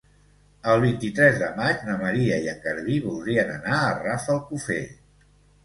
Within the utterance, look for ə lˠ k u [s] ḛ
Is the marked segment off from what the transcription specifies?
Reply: yes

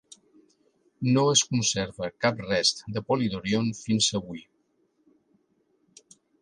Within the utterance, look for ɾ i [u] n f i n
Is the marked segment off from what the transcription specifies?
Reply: yes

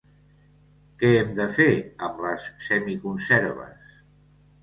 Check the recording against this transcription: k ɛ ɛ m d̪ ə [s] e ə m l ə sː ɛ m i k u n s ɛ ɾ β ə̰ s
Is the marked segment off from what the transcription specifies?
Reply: yes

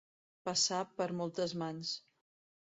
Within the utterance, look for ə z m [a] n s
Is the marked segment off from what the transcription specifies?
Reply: no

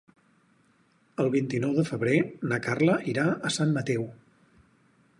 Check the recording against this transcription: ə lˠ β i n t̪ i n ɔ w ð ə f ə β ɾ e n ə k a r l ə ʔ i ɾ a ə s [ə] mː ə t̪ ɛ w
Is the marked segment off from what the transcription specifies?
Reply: yes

